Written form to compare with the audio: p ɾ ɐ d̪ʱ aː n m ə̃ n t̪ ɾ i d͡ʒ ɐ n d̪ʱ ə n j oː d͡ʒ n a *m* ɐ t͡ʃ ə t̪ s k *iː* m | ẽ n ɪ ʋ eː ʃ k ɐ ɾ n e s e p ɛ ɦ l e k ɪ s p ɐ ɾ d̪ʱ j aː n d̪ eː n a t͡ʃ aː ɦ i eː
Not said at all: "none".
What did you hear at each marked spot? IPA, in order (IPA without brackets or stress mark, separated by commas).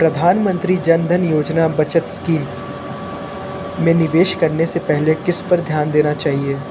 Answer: b, iː